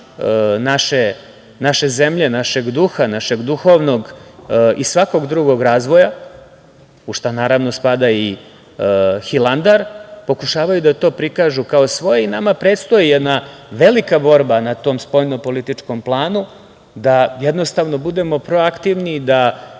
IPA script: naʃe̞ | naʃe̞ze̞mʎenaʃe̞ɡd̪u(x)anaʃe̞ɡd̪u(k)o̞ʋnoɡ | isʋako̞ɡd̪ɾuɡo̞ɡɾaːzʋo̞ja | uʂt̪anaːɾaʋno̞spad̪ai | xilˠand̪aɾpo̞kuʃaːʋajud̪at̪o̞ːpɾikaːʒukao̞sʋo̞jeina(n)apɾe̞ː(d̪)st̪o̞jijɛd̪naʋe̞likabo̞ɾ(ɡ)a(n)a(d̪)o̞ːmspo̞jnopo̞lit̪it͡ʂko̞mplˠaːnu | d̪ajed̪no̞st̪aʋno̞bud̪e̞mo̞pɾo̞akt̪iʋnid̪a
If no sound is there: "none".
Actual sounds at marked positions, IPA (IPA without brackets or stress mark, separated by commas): x, x, m, t̪, b, n, t̪